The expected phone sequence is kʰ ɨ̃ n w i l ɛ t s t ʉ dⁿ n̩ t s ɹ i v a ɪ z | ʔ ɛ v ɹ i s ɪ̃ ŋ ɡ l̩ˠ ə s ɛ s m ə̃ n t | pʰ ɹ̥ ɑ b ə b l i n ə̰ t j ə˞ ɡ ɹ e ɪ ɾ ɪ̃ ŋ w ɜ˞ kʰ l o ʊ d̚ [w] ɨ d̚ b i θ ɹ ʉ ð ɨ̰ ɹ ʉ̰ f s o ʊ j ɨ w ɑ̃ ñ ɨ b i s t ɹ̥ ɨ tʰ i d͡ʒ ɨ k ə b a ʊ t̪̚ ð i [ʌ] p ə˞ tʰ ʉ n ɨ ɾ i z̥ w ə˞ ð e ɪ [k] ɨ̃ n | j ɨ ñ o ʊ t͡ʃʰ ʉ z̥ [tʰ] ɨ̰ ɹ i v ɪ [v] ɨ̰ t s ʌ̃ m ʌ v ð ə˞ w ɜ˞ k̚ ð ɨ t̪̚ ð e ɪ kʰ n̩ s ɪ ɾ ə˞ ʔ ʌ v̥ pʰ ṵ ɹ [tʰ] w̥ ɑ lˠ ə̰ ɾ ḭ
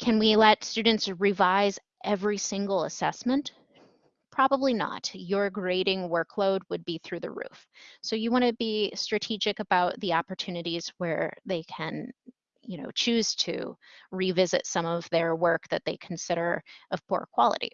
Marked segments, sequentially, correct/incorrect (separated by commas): correct, incorrect, incorrect, correct, incorrect, incorrect